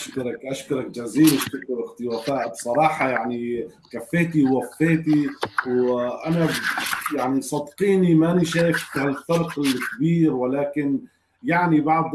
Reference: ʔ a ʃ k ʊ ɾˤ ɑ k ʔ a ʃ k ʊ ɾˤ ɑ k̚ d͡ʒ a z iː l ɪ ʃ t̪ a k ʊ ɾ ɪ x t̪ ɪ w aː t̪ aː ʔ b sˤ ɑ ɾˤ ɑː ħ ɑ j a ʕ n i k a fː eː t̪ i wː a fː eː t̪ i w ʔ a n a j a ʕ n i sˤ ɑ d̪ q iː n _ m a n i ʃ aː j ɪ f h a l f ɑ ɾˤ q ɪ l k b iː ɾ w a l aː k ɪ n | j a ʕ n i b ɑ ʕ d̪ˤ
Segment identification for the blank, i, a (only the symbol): i